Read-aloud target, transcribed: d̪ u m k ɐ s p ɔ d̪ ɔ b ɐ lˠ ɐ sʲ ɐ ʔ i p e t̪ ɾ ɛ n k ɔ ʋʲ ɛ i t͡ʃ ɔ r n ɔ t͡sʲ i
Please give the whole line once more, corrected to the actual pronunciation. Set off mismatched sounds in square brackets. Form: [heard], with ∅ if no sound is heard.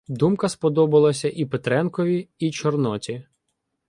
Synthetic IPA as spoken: d̪ u m k ɐ s p ɔ d̪ ɔ b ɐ lˠ ɐ sʲ ɐ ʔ i p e t̪ ɾ ɛ n k ɔ ʋʲ [i] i t͡ʃ ɔ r n ɔ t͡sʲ i

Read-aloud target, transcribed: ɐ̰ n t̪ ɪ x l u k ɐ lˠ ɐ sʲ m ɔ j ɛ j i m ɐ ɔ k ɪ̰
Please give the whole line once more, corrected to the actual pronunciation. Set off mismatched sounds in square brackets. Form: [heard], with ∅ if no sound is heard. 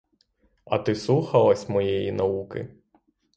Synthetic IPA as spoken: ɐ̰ [∅] t̪ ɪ [s] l u [x] ɐ lˠ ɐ sʲ m ɔ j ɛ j i [n] ɐ [u] k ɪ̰

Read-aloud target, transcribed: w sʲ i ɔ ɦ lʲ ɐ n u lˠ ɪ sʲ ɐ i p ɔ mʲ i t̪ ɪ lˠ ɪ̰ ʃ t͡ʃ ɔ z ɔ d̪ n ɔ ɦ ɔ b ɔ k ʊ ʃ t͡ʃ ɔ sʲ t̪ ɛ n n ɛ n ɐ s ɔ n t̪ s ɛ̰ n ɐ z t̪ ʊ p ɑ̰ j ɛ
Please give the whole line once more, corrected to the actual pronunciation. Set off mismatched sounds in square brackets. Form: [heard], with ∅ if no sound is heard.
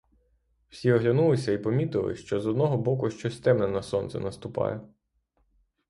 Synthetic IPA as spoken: w sʲ i ɔ ɦ lʲ ɐ n u lˠ ɪ sʲ ɐ i p ɔ mʲ i t̪ ɪ lˠ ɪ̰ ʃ t͡ʃ ɔ z ɔ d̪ n ɔ ɦ ɔ b ɔ k ʊ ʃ t͡ʃ ɔ sʲ t̪ ɛ [m] n ɛ n ɐ s ɔ n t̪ s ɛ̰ n ɐ [s] t̪ ʊ p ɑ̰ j ɛ

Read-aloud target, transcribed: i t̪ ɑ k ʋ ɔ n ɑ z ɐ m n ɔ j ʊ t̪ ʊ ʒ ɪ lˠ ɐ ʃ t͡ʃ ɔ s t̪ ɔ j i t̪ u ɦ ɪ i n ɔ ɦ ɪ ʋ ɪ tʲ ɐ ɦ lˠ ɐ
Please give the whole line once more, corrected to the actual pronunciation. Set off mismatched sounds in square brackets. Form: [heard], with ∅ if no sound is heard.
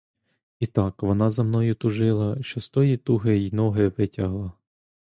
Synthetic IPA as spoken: i t̪ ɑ k ʋ ɔ n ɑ z ɐ m n ɔ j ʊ t̪ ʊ ʒ ɪ lˠ ɐ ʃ t͡ʃ ɔ s t̪ ɔ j i t̪ u ɦ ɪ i n ɔ ɦ ɪ ʋ ɪ tʲ ɐ ɦ lˠ ɐ

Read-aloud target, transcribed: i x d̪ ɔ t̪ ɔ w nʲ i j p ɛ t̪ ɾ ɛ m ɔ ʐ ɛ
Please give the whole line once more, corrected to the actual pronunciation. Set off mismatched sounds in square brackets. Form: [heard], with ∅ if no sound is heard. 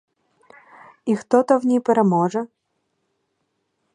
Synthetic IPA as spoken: i x [t̪] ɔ t̪ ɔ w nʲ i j p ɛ [∅] ɾ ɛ m ɔ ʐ ɛ

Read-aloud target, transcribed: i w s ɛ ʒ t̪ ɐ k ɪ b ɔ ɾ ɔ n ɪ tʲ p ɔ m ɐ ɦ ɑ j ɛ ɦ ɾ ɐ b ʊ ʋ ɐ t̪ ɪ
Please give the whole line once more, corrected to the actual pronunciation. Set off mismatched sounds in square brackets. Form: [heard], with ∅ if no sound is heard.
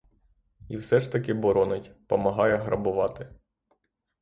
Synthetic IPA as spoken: i w s ɛ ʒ t̪ ɐ k ɪ b ɔ ɾ ɔ n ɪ tʲ p ɔ m ɐ ɦ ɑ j ɛ ɦ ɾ ɐ b ʊ ʋ [ɑ] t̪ ɪ

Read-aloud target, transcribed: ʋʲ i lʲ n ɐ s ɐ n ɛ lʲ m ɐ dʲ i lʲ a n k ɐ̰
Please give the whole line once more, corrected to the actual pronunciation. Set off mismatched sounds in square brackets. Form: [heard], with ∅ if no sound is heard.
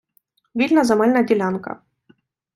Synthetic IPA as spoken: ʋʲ i lʲ n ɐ [z] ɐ [m] ɛ lʲ [n] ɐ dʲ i lʲ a n k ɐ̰

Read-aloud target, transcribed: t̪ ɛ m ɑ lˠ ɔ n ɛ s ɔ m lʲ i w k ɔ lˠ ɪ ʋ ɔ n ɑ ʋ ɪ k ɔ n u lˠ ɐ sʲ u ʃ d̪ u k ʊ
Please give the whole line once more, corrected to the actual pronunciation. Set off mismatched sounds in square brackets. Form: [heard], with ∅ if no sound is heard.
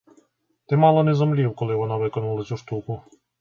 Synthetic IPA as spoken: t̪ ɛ m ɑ lˠ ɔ n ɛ [z] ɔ m lʲ i w k ɔ lˠ ɪ ʋ ɔ n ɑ ʋ ɪ k ɔ n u lˠ ɐ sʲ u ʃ [t̪] u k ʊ

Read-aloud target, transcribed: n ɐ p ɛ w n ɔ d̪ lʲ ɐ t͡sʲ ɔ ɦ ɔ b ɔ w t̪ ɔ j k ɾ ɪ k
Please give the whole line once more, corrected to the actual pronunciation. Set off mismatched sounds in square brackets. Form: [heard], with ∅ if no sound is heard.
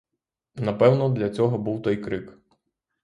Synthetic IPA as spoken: n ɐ p ɛ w n ɔ d̪ lʲ ɐ t͡sʲ ɔ ɦ ɔ b [u] w t̪ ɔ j k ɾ ɪ k

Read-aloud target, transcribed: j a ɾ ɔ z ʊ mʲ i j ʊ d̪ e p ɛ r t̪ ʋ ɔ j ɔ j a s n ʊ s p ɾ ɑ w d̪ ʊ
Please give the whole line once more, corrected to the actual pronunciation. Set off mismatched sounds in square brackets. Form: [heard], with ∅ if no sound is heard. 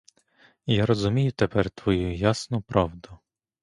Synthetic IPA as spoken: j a ɾ ɔ z ʊ mʲ i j ʊ [t̪] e p ɛ r t̪ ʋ ɔ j [u] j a s n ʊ [∅] p ɾ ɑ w d̪ ʊ

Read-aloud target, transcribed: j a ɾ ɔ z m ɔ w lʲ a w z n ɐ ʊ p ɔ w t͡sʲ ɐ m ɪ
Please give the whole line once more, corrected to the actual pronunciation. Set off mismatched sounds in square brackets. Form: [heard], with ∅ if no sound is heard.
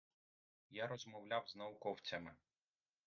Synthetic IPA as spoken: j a ɾ ɔ z m ɔ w lʲ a w z n ɐ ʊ [k] ɔ w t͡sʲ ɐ m ɪ

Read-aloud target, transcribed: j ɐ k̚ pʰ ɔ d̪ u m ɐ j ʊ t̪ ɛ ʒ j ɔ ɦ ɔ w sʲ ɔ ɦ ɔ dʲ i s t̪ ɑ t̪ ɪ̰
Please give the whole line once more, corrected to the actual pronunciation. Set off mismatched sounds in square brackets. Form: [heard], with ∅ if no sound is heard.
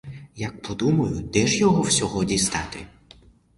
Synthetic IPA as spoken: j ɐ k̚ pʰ ɔ d̪ u m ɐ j ʊ [d̪] ɛ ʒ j ɔ ɦ ɔ w sʲ ɔ ɦ ɔ dʲ i s t̪ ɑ t̪ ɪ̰

